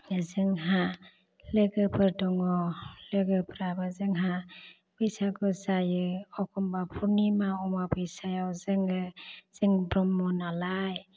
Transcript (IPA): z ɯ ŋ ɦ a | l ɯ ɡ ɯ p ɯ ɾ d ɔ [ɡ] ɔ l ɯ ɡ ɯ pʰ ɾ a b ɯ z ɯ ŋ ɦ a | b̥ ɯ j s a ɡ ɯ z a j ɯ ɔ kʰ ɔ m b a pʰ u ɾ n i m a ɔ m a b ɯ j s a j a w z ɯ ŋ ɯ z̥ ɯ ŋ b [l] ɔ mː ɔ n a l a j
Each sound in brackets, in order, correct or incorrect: incorrect: ŋ, incorrect: ɾ

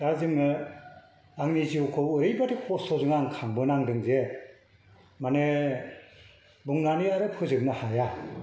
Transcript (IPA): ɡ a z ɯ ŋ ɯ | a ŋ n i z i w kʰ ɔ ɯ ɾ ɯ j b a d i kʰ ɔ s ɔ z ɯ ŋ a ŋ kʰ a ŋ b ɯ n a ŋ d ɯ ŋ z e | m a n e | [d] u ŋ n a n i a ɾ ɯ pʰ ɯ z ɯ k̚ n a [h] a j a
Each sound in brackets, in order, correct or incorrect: incorrect: b, correct

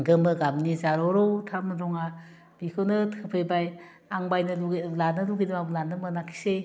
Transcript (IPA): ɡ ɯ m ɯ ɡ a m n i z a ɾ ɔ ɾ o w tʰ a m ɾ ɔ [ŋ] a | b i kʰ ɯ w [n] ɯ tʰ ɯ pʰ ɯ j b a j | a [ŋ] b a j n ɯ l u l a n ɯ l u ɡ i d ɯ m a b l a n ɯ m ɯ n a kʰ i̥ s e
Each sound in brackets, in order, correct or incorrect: correct, correct, correct

